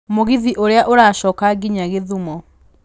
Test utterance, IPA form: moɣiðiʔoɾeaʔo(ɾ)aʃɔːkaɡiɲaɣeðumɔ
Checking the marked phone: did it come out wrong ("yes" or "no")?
no